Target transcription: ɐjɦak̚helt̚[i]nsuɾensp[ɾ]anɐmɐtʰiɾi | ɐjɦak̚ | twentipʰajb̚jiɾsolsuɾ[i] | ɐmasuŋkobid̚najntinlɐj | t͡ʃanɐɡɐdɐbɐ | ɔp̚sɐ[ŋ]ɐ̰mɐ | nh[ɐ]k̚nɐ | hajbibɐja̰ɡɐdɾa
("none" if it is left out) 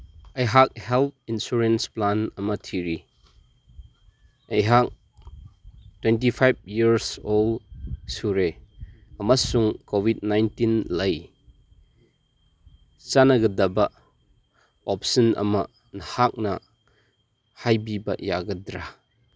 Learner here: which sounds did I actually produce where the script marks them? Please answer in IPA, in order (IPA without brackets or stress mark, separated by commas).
i, l, e, n, a